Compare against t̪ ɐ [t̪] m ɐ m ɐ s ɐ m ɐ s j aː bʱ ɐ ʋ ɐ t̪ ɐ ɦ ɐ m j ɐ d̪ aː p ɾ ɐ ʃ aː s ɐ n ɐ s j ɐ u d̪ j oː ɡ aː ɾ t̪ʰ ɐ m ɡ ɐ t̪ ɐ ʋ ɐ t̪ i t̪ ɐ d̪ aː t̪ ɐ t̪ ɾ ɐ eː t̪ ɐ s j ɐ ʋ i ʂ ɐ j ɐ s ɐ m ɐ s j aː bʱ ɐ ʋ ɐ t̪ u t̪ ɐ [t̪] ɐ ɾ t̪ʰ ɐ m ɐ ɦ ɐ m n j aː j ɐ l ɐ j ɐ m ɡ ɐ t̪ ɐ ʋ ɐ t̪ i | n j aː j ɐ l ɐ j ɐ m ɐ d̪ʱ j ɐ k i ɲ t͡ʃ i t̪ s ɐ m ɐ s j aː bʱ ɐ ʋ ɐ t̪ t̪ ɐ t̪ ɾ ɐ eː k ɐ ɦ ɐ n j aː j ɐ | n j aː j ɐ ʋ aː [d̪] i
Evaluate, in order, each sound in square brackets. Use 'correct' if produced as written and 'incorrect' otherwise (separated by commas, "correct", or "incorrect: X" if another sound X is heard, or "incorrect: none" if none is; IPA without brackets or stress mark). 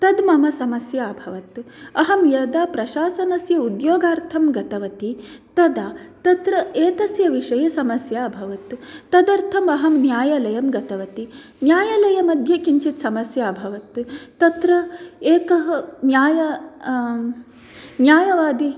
incorrect: d̪, incorrect: d̪, correct